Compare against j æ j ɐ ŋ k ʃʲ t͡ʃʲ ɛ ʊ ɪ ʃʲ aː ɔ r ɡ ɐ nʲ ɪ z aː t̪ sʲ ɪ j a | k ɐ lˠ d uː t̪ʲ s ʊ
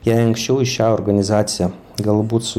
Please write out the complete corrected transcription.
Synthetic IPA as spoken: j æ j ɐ ŋ k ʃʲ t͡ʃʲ ɛ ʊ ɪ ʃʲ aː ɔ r ɡ ɐ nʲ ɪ z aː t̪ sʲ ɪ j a | ɡ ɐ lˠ b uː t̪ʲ s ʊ